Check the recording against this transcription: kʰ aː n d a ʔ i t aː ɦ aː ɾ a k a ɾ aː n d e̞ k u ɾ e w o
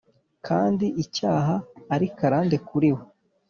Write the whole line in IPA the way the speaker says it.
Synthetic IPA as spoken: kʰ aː n d i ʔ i c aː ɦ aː ɾ i k a ɾ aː n d e̞ k u ɾ i w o